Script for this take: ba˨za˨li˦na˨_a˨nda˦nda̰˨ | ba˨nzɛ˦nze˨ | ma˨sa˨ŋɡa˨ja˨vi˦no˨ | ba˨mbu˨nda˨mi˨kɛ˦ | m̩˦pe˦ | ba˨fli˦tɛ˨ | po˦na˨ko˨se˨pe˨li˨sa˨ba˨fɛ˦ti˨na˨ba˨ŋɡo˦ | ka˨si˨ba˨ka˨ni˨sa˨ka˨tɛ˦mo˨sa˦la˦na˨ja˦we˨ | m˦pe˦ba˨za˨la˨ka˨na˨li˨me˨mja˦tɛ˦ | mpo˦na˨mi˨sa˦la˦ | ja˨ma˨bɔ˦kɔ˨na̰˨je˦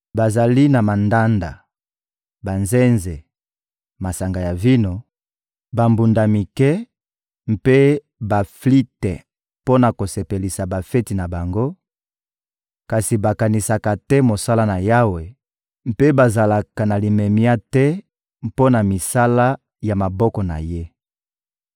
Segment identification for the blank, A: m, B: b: A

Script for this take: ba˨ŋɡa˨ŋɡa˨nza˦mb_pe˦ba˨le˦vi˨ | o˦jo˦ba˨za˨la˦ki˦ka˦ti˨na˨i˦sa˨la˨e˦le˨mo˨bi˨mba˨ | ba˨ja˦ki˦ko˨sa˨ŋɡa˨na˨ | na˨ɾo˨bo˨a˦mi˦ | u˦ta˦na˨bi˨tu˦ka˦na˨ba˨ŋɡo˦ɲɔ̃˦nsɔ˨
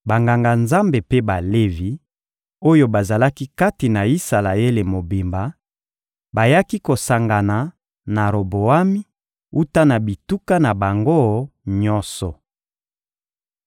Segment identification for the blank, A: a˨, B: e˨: B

